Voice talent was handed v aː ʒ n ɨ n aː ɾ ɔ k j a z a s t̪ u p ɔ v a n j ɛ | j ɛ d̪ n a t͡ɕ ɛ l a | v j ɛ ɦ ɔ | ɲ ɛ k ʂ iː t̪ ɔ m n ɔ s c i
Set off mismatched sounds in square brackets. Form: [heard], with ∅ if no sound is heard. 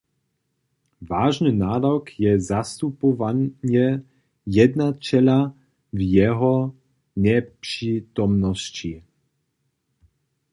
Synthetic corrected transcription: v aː ʒ n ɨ n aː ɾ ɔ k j [ɛ] z a s t̪ u p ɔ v a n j ɛ | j ɛ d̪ n a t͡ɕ ɛ l a | v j ɛ ɦ ɔ | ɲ ɛ [p] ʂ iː t̪ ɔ m n ɔ s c i